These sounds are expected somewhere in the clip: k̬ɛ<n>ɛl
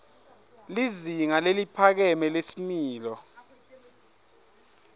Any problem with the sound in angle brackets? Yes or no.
yes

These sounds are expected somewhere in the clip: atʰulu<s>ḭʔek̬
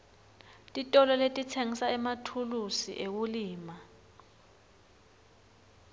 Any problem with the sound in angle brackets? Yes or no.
no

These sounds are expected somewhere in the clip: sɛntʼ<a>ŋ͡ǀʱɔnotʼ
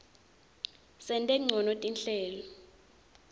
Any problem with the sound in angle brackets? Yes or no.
yes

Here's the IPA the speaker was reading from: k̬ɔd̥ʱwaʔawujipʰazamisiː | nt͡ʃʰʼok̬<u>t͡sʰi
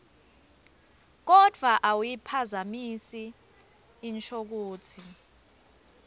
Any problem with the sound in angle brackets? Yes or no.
yes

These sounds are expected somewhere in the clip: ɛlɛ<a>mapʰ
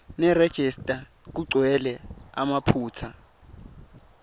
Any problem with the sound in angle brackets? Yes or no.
no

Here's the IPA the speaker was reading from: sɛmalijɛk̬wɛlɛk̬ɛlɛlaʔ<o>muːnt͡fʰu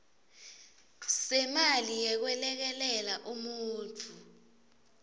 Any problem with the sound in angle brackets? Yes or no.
yes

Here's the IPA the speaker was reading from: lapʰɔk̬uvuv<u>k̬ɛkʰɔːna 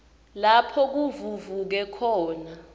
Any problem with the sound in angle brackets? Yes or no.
no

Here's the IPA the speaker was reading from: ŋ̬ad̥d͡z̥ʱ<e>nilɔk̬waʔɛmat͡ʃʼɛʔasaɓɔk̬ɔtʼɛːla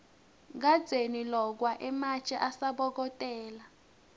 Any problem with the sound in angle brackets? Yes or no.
no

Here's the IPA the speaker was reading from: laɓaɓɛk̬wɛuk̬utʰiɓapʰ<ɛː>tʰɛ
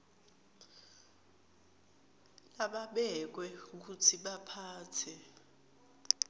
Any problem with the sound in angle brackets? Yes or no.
yes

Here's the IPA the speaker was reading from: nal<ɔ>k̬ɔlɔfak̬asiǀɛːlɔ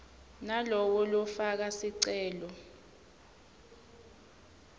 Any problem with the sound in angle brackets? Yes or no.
no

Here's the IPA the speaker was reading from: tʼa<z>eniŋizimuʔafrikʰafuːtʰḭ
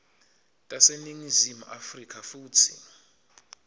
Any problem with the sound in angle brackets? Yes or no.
yes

